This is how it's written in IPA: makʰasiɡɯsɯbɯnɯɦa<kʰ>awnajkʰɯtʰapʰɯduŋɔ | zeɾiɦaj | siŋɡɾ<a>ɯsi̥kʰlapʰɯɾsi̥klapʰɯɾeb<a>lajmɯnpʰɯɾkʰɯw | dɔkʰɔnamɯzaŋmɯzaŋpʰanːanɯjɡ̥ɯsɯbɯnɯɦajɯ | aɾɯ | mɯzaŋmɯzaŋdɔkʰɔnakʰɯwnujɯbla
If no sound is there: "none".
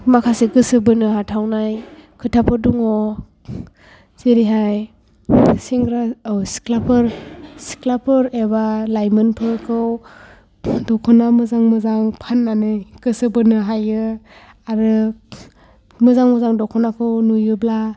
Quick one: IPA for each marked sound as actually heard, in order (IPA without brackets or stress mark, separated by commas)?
tʰ, a, a